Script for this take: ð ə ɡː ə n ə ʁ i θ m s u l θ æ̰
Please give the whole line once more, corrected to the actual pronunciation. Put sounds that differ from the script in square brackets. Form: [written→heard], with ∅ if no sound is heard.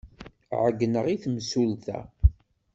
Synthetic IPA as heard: [ð→ʕ] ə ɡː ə n ə ʁ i θ m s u l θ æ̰